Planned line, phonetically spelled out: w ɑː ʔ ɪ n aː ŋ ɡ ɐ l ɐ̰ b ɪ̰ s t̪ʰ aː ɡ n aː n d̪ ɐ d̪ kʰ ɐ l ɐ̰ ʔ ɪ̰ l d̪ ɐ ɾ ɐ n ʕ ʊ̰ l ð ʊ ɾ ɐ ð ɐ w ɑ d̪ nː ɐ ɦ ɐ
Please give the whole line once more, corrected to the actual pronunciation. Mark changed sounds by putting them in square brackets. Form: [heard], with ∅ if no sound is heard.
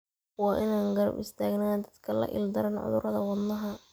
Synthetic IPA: w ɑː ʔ ɪ n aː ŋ ɡ ɐ [ɾ] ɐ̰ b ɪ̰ s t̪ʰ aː ɡ n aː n d̪ ɐ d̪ kʰ ɐ l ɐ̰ ʔ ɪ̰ l d̪ ɐ ɾ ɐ n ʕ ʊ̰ [∅] ð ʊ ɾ ɐ ð ɐ w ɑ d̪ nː ɐ ɦ ɐ